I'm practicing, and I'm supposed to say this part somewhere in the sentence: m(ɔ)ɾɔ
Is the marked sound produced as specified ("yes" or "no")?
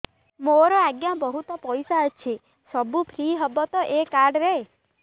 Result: no